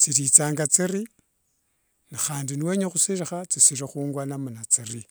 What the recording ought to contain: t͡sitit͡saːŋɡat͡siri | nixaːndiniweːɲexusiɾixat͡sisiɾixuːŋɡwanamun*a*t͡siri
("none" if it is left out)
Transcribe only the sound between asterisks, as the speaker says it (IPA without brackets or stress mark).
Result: a